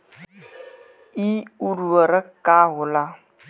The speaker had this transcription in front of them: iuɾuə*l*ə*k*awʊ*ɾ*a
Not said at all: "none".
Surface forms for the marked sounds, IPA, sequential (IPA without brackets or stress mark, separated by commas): ɾ, k, l